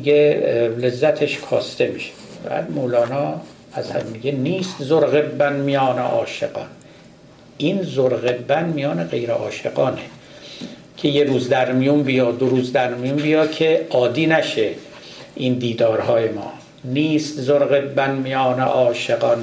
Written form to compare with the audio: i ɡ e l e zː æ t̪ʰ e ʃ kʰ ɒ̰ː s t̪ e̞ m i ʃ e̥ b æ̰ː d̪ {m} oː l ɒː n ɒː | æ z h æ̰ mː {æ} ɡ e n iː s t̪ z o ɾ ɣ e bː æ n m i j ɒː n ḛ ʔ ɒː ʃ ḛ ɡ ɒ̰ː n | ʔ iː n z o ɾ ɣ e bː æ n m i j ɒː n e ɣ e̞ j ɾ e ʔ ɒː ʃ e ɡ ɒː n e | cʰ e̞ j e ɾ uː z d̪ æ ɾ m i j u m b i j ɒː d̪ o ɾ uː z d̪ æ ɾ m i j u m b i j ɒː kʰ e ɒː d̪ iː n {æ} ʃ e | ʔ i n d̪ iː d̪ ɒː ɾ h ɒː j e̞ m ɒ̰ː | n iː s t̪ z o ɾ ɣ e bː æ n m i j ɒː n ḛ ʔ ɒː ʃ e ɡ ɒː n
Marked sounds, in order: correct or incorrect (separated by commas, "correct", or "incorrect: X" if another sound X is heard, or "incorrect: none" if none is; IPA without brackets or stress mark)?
correct, incorrect: i, correct